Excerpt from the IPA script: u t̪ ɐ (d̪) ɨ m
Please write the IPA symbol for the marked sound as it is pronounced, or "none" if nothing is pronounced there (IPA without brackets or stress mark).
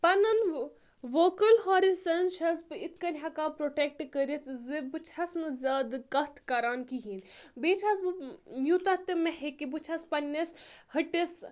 t̪